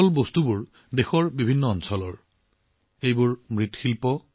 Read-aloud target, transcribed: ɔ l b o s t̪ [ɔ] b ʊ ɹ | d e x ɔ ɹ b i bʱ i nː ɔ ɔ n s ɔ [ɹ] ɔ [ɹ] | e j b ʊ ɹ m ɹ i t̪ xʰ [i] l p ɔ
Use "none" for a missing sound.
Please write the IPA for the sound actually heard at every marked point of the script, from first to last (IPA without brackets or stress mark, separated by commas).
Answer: u, l, ɹ, i